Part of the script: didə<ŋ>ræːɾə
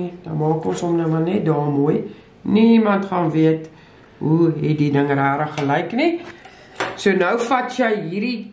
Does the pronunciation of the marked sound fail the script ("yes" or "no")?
no